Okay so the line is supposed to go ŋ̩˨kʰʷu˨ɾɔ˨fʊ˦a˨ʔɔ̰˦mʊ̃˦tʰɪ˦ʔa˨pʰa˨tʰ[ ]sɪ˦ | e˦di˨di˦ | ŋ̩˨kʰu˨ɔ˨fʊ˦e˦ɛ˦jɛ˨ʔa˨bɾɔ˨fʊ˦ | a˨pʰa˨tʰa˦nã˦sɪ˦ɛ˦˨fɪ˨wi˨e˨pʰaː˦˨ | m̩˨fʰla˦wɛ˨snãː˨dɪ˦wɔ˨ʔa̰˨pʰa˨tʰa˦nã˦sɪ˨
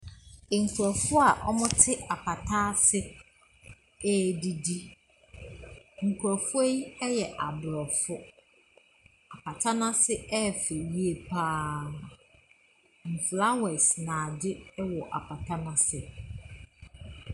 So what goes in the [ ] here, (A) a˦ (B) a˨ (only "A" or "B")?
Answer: A